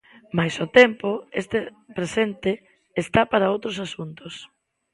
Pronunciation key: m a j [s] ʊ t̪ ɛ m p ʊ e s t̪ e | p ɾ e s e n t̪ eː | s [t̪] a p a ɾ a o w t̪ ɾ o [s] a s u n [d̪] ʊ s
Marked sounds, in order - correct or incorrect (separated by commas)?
correct, correct, correct, incorrect